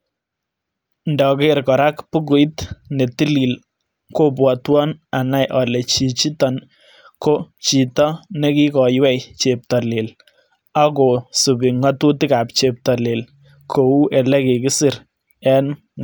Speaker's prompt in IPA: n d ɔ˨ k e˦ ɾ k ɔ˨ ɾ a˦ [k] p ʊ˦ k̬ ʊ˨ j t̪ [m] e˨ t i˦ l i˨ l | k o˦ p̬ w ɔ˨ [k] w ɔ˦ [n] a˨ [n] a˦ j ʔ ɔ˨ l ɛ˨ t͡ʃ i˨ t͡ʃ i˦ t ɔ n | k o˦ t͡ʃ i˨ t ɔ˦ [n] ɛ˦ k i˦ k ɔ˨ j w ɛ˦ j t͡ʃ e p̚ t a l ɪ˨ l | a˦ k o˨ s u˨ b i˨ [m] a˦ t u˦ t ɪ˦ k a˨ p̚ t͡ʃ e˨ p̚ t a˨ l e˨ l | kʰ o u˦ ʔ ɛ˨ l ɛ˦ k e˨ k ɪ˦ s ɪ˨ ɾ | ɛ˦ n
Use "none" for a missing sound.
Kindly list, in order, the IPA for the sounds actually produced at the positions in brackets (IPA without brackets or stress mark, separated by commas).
k, n, t, n, n, n, ŋ